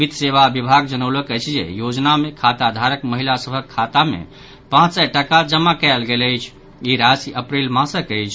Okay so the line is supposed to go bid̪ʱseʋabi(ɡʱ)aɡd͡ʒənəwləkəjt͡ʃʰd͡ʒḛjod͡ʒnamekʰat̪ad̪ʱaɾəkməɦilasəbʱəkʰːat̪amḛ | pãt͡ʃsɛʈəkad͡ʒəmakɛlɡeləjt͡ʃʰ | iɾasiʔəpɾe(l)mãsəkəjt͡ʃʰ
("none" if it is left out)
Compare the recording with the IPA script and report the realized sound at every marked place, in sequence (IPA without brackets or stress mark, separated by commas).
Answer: bʱ, l